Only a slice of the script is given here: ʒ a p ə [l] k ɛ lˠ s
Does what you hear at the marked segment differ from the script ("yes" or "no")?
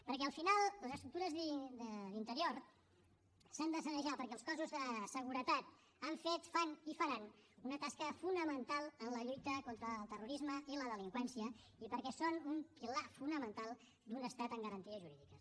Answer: yes